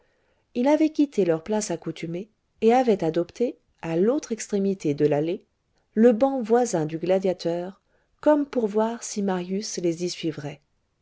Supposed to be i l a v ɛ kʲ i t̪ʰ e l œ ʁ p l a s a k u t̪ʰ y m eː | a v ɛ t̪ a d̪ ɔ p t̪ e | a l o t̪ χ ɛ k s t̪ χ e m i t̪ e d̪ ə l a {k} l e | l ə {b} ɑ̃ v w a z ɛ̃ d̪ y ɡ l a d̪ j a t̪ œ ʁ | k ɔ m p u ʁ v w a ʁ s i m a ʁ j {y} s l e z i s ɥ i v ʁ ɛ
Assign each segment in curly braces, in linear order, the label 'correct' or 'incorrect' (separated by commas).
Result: incorrect, correct, correct